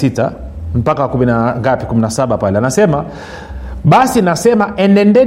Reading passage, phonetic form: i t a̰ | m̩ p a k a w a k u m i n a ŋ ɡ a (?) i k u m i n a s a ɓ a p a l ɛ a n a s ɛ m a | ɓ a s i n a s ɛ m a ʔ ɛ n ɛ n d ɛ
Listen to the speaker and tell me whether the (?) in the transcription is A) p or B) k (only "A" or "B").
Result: A